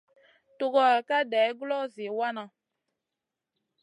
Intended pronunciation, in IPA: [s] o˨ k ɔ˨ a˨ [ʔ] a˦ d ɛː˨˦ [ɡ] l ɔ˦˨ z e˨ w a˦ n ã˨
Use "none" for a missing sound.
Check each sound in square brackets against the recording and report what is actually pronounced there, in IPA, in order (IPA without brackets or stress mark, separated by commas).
t, k, ɡ